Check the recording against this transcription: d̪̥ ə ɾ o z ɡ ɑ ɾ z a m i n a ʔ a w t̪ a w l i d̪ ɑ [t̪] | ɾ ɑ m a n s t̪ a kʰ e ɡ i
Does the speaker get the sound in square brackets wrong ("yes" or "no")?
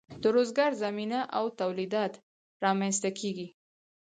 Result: no